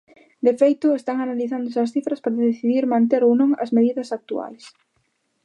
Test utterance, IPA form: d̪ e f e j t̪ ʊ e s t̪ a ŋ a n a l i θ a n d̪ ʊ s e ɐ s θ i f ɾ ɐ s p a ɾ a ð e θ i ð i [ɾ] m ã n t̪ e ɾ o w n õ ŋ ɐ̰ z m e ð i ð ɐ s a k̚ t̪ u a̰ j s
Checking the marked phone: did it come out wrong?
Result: no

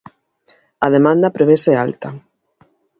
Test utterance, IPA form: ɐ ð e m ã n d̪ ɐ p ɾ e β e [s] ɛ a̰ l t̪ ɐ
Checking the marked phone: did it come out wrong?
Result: no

